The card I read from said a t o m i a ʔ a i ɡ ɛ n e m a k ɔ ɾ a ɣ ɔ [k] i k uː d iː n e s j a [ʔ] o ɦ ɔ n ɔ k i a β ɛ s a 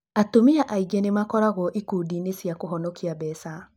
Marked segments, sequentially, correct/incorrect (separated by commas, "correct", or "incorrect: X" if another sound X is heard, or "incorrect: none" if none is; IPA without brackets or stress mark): incorrect: ʔ, incorrect: k